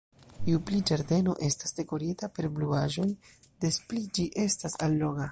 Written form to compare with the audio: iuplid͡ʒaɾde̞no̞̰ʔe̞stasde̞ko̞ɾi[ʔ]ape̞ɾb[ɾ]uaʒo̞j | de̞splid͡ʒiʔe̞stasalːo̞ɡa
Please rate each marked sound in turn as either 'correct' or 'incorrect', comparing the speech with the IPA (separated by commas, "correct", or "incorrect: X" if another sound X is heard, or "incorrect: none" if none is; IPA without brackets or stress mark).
incorrect: t, incorrect: l